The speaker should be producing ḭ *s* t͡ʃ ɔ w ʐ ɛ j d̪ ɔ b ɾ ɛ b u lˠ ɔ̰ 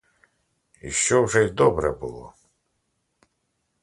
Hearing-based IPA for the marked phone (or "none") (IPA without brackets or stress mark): ʃ